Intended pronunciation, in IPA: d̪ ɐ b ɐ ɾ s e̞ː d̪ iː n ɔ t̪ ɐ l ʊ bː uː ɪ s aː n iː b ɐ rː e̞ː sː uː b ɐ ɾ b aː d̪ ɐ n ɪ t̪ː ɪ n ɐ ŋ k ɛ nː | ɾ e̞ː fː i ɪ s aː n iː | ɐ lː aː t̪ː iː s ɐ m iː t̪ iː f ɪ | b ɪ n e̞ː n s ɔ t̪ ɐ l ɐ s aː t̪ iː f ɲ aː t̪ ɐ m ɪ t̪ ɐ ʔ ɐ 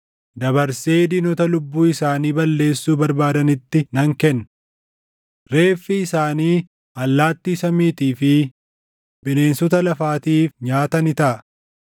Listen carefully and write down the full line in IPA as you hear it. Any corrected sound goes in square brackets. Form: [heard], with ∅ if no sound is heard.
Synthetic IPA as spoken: d̪ ɐ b ɐ ɾ s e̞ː d̪ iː n ɔ t̪ ɐ l ʊ bː uː ɪ s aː n iː b ɐ [lː] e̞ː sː uː b ɐ ɾ b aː d̪ ɐ n ɪ t̪ː ɪ n ɐ ŋ k ɛ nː | ɾ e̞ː fː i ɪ s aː n iː | ɐ lː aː t̪ː iː s ɐ m iː t̪ iː f ɪ | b ɪ n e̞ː n s ɔ t̪ ɐ l ɐ [f] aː t̪ iː f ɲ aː t̪ ɐ [n] ɪ t̪ ɐ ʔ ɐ

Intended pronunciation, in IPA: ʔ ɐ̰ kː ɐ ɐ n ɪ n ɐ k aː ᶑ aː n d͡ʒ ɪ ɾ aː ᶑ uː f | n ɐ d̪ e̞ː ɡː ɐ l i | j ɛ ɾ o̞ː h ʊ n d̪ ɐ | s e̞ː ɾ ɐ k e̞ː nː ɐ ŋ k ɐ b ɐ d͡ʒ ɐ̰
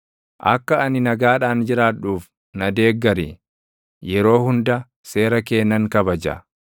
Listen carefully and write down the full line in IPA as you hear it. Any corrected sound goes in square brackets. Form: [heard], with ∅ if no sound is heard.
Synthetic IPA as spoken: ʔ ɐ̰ kː ɐ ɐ n ɪ n ɐ [ɡ] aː ᶑ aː n d͡ʒ ɪ ɾ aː ᶑ uː f | n ɐ d̪ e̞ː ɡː ɐ [ɾ] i | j ɛ ɾ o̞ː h ʊ n d̪ ɐ | s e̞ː ɾ ɐ k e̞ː nː ɐ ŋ k ɐ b ɐ d͡ʒ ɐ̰

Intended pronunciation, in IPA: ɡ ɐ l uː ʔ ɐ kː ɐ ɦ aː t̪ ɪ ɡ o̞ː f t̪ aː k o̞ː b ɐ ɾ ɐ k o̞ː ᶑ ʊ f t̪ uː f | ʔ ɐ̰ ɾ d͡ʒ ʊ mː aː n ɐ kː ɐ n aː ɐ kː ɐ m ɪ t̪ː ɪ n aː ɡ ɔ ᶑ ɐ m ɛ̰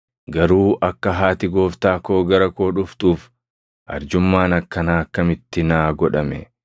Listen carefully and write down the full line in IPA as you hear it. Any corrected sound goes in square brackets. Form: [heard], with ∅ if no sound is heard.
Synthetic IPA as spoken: ɡ ɐ [ɾ] uː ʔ ɐ kː ɐ ɦ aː t̪ ɪ ɡ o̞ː f t̪ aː k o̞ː [ɡ] ɐ ɾ ɐ k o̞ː ᶑ ʊ f t̪ uː f | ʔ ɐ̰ ɾ d͡ʒ ʊ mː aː n ɐ kː ɐ n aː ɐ kː ɐ m ɪ t̪ː ɪ n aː ɡ ɔ ᶑ ɐ m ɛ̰

